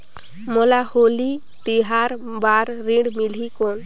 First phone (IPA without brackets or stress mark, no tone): m